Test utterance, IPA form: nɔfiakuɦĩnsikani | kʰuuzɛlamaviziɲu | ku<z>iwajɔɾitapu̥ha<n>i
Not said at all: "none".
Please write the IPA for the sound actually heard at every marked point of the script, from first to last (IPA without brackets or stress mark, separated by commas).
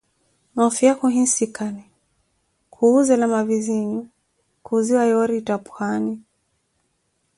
z, n